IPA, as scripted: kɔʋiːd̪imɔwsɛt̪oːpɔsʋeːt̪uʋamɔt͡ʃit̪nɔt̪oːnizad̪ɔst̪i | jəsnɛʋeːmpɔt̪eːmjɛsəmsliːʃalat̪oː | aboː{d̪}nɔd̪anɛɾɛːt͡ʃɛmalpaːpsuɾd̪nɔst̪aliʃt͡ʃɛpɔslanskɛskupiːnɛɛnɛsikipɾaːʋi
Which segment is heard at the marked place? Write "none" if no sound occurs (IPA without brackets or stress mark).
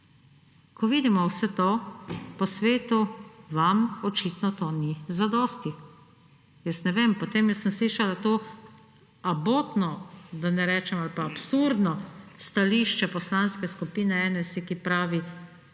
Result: t̪